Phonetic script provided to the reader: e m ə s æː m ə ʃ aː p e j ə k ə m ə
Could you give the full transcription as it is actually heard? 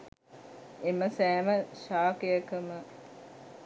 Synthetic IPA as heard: e m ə s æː m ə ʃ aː k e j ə k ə m ə